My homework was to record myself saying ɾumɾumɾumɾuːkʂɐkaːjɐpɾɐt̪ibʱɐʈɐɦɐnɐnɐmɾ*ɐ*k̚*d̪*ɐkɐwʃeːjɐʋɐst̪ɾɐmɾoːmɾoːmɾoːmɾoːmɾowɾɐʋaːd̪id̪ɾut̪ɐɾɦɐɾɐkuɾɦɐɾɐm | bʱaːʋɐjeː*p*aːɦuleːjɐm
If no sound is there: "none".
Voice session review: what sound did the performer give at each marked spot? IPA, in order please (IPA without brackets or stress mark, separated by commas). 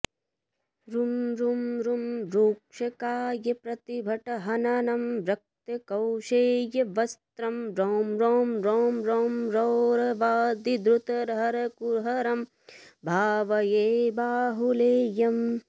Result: ɐ, t̪, b